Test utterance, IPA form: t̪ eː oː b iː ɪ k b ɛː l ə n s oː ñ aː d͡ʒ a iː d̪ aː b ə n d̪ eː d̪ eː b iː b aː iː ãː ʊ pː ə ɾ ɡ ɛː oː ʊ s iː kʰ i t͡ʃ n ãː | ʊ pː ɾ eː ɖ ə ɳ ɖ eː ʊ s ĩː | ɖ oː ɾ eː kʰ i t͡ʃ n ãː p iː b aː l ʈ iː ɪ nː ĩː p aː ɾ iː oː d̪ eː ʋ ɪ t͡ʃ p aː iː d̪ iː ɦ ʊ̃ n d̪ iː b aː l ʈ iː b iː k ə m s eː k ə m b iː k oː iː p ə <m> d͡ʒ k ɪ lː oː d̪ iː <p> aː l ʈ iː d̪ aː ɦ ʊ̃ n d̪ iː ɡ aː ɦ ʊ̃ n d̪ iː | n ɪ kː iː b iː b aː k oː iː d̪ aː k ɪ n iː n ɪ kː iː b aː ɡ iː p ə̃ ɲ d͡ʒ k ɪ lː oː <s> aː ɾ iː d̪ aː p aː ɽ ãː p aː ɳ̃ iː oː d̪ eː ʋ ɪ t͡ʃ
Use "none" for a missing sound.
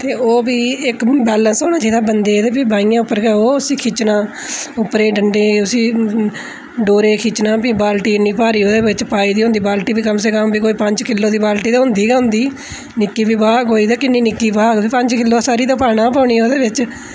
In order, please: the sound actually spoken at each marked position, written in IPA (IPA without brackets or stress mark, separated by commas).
ɲ, b, s